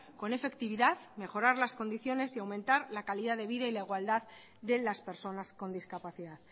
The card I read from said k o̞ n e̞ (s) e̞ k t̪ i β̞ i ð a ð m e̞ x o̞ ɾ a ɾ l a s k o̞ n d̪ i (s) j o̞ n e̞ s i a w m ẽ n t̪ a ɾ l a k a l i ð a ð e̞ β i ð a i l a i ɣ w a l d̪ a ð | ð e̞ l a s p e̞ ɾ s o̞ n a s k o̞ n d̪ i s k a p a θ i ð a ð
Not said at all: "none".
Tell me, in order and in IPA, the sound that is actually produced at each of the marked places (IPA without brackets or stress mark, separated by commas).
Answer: f, θ